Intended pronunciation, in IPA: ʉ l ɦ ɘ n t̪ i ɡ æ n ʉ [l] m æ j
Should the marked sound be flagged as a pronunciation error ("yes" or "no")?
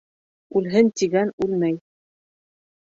no